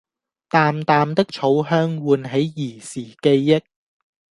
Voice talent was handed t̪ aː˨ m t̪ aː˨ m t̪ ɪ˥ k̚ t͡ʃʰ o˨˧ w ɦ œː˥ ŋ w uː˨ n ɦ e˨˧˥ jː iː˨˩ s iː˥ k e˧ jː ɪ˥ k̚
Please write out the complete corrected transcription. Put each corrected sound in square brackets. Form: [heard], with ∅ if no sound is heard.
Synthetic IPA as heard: t̪ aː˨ m t̪ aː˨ m t̪ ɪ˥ k̚ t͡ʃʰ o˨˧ w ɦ œː˥ ŋ w uː˨ n ɦ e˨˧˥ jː iː˨˩ s [iː˨˩] k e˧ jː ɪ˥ k̚